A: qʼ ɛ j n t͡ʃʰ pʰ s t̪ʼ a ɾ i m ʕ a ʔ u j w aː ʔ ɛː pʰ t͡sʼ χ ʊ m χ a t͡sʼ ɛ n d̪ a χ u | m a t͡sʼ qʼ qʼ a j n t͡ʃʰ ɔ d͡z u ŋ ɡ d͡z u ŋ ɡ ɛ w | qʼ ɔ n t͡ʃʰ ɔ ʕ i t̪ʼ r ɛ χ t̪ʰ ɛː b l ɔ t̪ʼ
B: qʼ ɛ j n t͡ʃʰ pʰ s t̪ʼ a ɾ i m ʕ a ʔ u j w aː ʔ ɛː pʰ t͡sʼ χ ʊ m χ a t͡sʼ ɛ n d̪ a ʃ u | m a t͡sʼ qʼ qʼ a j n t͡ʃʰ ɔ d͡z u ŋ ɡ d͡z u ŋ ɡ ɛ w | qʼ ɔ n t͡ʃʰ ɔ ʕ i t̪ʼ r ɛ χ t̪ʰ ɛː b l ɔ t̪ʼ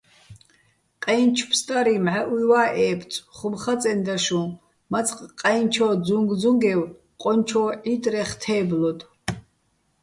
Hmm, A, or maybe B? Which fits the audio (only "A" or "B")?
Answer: B